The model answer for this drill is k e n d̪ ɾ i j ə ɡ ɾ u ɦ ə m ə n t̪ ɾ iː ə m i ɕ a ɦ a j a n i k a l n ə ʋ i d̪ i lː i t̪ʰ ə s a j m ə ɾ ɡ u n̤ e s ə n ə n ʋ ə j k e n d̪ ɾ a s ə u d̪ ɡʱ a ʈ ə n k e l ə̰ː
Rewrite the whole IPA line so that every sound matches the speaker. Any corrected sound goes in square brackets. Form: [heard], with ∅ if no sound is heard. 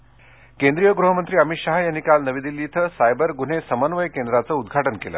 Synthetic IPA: k e n d̪ ɾ i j ə ɡ ɾ u ɦ ə m ə n t̪ ɾ iː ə m i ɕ a ɦ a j a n i k a l n ə ʋ i d̪ i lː i t̪ʰ ə s a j [b] ə ɾ ɡ u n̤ e s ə [m] ə n ʋ ə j k e n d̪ ɾ a [t͡s] ə u d̪ ɡʱ a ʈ ə n k e l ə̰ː